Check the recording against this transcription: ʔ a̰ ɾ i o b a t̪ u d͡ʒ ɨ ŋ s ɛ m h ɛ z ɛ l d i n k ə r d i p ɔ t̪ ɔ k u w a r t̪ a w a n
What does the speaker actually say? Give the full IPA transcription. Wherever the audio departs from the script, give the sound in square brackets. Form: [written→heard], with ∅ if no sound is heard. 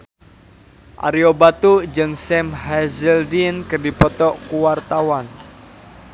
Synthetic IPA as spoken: ʔ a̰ ɾ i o b a t̪ u d͡ʒ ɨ ŋ s ɛ m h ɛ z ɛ l d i n k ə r d i p ɔ t̪ ɔ k u w a r t̪ a w a n